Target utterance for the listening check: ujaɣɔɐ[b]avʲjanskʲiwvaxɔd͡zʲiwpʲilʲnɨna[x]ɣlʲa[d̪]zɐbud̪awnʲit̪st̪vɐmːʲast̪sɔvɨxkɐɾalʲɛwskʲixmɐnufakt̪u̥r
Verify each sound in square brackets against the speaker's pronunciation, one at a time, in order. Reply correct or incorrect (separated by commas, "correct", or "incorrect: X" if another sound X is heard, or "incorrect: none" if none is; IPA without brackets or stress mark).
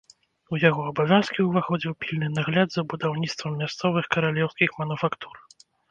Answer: correct, incorrect: none, correct